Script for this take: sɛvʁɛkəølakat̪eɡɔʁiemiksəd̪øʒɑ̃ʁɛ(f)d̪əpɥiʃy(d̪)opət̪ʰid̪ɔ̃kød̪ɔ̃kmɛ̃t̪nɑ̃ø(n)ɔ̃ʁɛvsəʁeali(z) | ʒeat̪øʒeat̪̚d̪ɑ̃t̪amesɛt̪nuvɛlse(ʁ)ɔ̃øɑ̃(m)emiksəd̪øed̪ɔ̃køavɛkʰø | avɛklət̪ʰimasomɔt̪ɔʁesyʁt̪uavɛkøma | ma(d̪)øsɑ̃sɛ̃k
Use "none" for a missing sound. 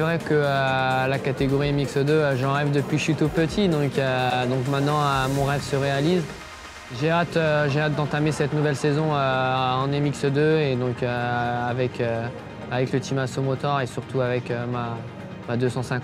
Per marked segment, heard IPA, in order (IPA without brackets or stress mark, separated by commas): v, t̪, m, z, z, n, d̪